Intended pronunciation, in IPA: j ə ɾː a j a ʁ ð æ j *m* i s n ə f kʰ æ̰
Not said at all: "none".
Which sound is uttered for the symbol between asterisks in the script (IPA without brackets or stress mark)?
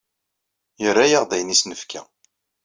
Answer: n